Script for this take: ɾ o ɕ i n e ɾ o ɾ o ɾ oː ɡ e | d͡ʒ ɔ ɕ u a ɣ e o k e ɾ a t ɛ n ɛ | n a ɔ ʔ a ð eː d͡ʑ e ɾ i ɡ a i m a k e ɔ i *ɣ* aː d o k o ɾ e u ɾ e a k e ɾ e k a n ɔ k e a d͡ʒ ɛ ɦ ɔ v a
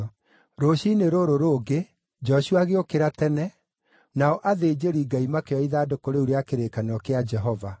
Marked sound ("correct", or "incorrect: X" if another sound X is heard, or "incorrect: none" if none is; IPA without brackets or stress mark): incorrect: ð